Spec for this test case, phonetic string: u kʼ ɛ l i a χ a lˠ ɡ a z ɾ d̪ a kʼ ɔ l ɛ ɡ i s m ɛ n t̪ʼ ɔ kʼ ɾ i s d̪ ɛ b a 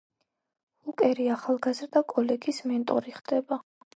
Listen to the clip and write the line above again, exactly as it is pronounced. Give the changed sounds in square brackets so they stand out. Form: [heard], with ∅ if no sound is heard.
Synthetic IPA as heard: u kʼ ɛ [ɾ] i a χ a lˠ ɡ a z ɾ d̪ a kʼ ɔ l ɛ ɡ i s m ɛ n t̪ʼ ɔ [∅] ɾ i [χ] d̪ ɛ b a